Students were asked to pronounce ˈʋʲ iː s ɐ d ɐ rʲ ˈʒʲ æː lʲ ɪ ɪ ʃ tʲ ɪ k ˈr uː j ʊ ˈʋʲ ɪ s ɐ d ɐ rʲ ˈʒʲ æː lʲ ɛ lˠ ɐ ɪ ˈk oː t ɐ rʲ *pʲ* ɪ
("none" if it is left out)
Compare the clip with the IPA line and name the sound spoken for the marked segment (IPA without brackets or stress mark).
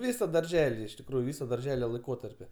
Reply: pʲ